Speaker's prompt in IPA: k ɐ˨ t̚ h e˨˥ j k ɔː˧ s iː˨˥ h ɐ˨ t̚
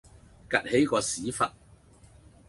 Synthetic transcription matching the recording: k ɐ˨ t̚ h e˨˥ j k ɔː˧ s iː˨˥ f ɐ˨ t̚